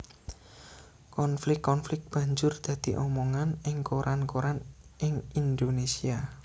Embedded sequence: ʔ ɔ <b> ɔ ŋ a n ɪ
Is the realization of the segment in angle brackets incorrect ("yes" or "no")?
yes